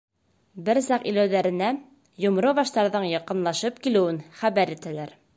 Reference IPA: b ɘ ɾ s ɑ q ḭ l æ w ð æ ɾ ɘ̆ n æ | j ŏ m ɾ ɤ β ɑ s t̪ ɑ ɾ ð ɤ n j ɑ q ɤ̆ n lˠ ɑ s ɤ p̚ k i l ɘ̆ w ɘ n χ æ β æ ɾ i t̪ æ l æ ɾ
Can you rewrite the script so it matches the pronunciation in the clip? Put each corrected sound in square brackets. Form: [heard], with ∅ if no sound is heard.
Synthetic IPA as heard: b ɘ ɾ s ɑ q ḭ l æ w ð æ ɾ ɘ̆ n æ | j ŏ m ɾ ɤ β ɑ [ʃ] t̪ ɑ ɾ ð ɤ [ɴ] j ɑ q ɤ̆ n lˠ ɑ [ʃ] ɤ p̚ k i l ɘ̆ w ɘ n χ æ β æ ɾ i t̪ æ l æ ɾ